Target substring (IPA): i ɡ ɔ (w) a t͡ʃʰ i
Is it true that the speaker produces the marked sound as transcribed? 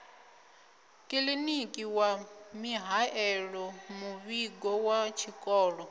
yes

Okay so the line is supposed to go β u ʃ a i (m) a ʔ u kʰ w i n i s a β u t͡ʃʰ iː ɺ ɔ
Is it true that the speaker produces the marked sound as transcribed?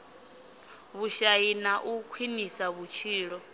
no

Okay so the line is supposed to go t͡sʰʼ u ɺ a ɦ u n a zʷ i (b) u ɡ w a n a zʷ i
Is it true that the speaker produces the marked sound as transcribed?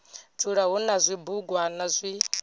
yes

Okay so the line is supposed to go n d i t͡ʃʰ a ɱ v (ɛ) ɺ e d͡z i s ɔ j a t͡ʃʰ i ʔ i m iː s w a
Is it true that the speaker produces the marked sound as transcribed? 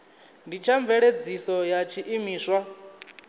yes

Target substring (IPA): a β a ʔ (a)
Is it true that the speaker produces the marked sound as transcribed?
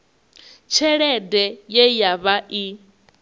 no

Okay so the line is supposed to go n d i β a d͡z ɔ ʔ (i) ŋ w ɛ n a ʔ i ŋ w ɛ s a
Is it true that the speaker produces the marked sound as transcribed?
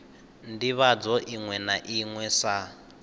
yes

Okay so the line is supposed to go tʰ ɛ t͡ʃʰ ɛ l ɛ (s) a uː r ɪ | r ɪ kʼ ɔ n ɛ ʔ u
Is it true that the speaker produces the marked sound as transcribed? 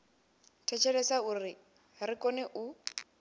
yes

